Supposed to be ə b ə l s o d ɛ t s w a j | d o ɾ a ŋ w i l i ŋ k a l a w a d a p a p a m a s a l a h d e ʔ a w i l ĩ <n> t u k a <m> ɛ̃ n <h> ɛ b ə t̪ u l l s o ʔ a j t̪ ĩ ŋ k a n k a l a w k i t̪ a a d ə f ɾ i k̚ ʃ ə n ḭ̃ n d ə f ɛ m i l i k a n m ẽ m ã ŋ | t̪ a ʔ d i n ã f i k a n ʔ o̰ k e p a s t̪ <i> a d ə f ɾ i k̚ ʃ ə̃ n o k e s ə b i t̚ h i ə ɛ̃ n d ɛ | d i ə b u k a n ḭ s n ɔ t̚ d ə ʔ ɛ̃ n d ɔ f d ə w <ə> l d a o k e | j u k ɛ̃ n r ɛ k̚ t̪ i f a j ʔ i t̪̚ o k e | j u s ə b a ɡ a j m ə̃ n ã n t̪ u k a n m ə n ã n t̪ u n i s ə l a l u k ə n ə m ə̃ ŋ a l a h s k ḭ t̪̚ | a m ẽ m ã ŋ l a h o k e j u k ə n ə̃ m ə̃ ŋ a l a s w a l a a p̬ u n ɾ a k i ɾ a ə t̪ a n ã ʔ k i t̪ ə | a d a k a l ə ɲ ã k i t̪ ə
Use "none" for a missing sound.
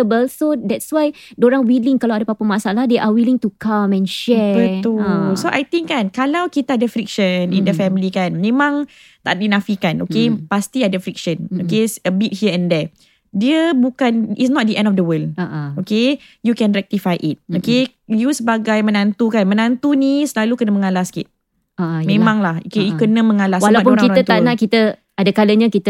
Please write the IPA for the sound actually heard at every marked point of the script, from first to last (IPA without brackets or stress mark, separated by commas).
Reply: ŋ, m, ʃ, i, ə